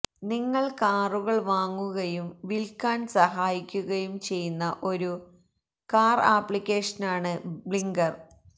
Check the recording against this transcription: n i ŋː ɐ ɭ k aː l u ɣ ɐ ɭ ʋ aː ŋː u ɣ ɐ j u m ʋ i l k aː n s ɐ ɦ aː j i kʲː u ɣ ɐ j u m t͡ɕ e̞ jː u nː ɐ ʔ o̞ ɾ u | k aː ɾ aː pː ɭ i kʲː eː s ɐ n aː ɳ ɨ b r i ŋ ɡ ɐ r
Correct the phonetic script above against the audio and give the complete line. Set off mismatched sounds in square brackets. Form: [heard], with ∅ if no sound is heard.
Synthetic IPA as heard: n i ŋː ɐ ɭ k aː [r] u ɣ ɐ ɭ ʋ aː ŋː u ɣ ɐ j u m ʋ i l k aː n s ɐ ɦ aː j i kʲː u ɣ ɐ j u m t͡ɕ e̞ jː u nː ɐ ʔ o̞ ɾ u | k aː [r] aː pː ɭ i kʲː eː [ʂ] ɐ n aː ɳ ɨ b [ɭ] i ŋ ɡ ɐ r

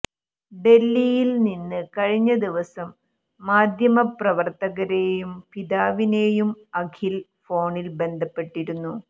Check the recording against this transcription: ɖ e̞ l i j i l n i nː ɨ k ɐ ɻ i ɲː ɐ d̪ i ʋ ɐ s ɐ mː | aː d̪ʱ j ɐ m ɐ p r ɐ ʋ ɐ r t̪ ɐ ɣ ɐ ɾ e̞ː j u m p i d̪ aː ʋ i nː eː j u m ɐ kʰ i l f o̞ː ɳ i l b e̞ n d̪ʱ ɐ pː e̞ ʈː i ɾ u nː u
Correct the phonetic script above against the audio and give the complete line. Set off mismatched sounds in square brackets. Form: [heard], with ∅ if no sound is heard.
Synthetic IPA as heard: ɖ e̞ [lː] i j i l n i nː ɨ k ɐ ɻ i ɲː ɐ d̪ i ʋ ɐ s ɐ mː | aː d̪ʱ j ɐ m ɐ p r ɐ ʋ ɐ r t̪ ɐ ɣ ɐ ɾ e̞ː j u m p i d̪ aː ʋ i [n] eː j u m ɐ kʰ i l f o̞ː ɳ i l b e̞ n d̪ʱ ɐ pː e̞ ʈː i ɾ u nː u

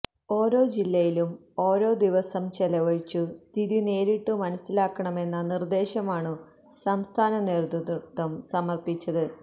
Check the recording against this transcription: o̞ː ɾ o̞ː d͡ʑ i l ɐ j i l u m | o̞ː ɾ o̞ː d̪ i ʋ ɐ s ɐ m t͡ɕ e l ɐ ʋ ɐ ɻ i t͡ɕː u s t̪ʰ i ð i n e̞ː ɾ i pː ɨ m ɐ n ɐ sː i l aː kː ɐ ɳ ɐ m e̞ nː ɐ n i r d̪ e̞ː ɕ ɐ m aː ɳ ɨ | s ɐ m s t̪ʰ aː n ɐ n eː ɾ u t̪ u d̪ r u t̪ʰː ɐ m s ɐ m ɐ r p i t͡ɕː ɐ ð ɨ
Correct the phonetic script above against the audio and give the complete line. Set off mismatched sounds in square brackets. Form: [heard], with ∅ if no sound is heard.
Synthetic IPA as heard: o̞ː ɾ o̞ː d͡ʑ i [lː] ɐ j i l u m | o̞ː ɾ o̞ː d̪ i ʋ ɐ s ɐ m t͡ɕ e l ɐ ʋ ɐ ɻ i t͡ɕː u s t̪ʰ i ð i n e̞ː ɾ i [ʈː] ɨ m ɐ n ɐ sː i l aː kː ɐ ɳ ɐ m e̞ nː ɐ n i r d̪ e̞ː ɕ ɐ m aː ɳ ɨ | s ɐ m s t̪ʰ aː n ɐ n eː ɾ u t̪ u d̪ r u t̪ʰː ɐ m s ɐ m ɐ r p i t͡ɕː ɐ ð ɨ

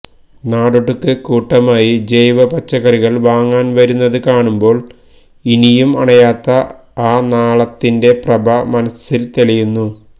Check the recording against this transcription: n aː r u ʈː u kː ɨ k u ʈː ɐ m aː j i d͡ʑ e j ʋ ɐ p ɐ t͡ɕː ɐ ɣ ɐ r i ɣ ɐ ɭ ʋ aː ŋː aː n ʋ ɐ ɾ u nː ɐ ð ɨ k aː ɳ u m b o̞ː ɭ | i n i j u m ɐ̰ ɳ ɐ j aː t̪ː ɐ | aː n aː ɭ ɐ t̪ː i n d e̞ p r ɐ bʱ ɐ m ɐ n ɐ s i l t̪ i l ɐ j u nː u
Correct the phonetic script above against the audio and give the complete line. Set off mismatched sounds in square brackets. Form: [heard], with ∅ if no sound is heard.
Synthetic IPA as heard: n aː [ɽ] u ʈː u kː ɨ k [uː] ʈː ɐ m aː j i d͡ʑ e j ʋ ɐ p ɐ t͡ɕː ɐ ɣ ɐ r i ɣ ɐ ɭ ʋ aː ŋː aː n ʋ ɐ ɾ u nː ɐ ð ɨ k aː ɳ u m b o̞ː ɭ | i n i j u m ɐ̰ ɳ ɐ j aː t̪ː ɐ | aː n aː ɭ ɐ t̪ː i n d e̞ p r ɐ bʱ ɐ m ɐ n ɐ s i l t̪ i l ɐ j u nː u

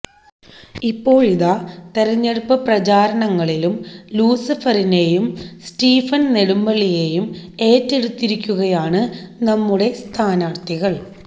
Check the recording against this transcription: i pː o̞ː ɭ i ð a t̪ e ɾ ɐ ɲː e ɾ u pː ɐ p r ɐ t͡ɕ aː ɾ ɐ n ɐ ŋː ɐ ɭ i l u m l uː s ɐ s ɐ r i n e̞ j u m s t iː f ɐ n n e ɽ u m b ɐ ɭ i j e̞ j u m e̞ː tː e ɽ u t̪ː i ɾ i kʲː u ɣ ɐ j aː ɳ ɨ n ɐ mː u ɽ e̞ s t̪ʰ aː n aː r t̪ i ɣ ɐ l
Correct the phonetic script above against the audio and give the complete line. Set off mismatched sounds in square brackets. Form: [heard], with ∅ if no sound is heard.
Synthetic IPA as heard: i pː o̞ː ɭ i ð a t̪ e ɾ ɐ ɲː e [ɽ] u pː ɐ p r ɐ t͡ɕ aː ɾ ɐ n ɐ ŋː ɐ ɭ i l u m l uː s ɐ [f] ɐ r i n e̞ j u m s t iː f ɐ n n e ɽ u m b ɐ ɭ i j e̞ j u m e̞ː tː e ɽ u t̪ː i ɾ i kʲː u ɣ ɐ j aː ɳ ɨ n ɐ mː u ɽ e̞ s t̪ʰ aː n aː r t̪ i ɣ ɐ [ɭ]

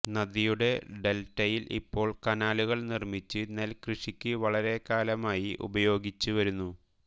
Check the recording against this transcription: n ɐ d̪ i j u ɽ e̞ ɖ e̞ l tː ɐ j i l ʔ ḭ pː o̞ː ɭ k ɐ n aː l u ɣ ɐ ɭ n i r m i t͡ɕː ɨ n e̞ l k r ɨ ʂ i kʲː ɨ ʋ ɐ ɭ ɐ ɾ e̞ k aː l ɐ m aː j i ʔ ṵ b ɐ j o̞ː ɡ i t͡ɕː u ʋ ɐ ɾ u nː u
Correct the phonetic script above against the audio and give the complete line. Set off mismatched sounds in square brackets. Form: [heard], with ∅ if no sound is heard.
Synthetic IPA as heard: n ɐ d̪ i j u ɽ e̞ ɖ e̞ l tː ɐ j i l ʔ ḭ pː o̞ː ɭ k ɐ n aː l u ɣ ɐ ɭ n i r m i t͡ɕː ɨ n e̞ l k r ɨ ʂ i kʲː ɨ ʋ ɐ ɭ ɐ ɾ e̞ k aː l ɐ m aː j i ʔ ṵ b ɐ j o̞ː ɡ i t͡ɕː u ʋ ɐ ɾ u nː u

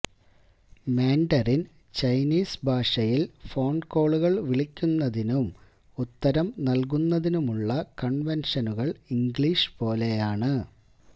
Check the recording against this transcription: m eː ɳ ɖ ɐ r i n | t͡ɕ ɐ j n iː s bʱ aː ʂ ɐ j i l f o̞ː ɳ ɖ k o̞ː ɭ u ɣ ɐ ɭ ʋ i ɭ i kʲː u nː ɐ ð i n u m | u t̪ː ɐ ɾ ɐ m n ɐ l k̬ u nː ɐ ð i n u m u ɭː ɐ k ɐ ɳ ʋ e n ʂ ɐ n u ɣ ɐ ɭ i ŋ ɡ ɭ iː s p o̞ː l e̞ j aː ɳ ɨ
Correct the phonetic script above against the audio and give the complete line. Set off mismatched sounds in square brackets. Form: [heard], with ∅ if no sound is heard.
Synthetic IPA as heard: m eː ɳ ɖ ɐ r i n | t͡ɕ ɐ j n iː s bʱ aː ʂ ɐ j i l f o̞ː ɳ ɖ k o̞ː ɭ u ɣ ɐ ɭ ʋ i ɭ i kʲː u nː ɐ ð i n u m | u t̪ː ɐ ɾ ɐ m n ɐ l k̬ u nː ɐ ð i n u m u ɭː ɐ k ɐ ɳ ʋ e n ʂ ɐ n u ɣ ɐ ɭ i ŋ ɡ ɭ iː [ʂ] p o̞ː l e̞ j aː ɳ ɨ

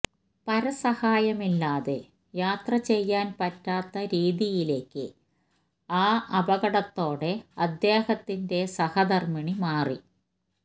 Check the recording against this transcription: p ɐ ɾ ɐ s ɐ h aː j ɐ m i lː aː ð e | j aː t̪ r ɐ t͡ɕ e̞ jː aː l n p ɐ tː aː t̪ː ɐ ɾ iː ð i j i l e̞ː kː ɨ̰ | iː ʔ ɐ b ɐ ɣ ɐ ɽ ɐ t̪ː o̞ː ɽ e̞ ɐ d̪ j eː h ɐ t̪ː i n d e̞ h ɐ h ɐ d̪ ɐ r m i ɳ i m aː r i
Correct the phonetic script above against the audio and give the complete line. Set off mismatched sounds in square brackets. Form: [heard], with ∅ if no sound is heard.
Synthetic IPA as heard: p ɐ ɾ ɐ s ɐ h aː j ɐ m i lː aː ð e | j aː t̪ r ɐ t͡ɕ e̞ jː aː [∅] n p ɐ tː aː t̪ː ɐ ɾ iː ð i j i l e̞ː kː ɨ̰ | [aː] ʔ ɐ b ɐ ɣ ɐ ɽ ɐ t̪ː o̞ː ɽ e̞ ɐ d̪ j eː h ɐ t̪ː i n d e̞ [s] ɐ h ɐ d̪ ɐ r m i ɳ i m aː r i

